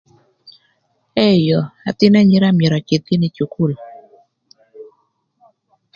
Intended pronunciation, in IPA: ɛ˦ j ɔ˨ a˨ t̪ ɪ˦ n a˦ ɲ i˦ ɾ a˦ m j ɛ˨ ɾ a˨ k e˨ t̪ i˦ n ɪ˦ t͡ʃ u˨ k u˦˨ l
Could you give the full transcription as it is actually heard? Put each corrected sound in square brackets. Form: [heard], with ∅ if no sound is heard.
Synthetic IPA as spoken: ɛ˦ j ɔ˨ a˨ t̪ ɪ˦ n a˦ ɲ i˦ ɾ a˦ m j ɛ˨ ɾ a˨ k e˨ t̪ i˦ n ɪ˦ t͡ʃ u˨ k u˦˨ l